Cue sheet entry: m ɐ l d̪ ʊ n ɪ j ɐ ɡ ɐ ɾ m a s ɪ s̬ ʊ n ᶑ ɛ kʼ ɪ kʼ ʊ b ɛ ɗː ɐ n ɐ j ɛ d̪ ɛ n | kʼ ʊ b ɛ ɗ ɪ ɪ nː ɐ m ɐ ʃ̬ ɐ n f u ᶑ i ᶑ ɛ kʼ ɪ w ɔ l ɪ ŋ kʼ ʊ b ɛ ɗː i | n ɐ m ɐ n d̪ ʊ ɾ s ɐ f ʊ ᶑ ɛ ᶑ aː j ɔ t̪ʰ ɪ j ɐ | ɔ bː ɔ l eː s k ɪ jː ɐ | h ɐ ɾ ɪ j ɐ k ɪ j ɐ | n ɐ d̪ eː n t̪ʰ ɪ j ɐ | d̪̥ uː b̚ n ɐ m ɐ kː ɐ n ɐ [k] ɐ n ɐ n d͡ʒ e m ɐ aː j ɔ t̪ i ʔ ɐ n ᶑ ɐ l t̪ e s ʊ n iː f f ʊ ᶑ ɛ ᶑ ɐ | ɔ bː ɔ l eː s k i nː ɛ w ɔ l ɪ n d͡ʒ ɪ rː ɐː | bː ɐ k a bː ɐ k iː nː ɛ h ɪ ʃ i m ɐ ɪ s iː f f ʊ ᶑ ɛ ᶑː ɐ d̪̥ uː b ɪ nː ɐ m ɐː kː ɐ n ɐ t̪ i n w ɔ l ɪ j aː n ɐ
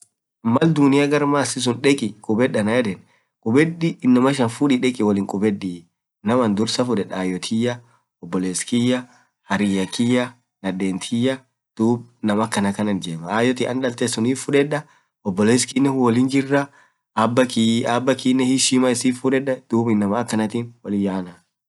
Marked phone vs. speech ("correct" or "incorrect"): correct